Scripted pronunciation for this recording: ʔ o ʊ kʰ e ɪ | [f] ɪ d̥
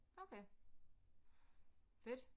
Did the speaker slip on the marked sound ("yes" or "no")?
no